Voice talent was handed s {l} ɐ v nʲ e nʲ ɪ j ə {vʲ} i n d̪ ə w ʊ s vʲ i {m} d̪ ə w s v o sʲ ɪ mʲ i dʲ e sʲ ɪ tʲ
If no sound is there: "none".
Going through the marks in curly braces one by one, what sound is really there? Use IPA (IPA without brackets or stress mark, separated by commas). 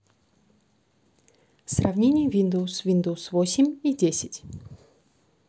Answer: r, vʲ, n